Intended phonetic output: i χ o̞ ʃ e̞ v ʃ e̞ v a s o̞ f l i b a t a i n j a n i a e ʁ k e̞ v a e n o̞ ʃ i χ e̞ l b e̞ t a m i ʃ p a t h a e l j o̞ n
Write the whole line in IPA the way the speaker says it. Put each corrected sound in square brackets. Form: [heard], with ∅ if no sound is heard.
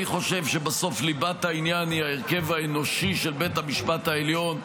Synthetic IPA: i χ o̞ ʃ e̞ v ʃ e̞ [b] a s o̞ f l i b a t a i n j a n i a e ʁ k e̞ v a e n o̞ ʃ i [ʃ] e̞ l b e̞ t a m i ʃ p a t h a e l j o̞ n